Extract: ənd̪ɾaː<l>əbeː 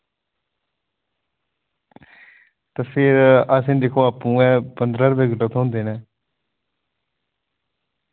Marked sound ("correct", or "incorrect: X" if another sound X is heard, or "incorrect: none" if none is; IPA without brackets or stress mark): incorrect: ɾ